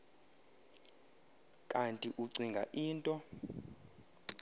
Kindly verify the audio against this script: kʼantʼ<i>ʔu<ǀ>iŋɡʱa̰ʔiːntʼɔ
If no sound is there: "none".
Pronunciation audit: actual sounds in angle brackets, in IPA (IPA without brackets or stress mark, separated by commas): i, ǀ